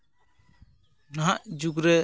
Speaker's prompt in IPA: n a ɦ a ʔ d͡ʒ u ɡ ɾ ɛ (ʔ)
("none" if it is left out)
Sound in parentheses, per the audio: none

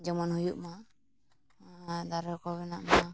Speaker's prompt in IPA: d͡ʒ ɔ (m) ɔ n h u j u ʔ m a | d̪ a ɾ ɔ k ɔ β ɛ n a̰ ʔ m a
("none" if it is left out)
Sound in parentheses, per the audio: m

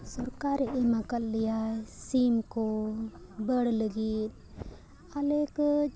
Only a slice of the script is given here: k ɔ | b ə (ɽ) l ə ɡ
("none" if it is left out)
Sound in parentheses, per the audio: ɽ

